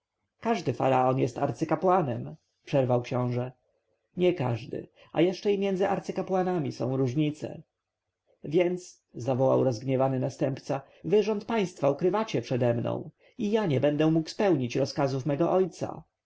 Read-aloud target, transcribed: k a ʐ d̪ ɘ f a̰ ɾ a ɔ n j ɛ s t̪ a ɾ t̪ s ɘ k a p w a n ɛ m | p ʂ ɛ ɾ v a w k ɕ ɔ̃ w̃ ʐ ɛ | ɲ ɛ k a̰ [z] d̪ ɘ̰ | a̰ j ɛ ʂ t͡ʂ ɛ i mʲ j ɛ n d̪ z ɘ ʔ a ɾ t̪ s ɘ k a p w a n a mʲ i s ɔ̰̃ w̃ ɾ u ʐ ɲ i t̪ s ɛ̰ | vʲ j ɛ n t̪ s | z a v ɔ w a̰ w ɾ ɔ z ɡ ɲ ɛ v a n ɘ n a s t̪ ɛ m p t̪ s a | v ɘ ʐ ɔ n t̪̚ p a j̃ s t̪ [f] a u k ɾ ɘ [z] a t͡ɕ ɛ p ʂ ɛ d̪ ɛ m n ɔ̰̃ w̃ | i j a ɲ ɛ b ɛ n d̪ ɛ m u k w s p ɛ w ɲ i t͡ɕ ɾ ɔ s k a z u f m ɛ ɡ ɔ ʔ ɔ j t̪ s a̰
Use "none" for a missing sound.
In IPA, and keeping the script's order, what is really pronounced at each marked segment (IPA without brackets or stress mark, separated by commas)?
ʐ, f, v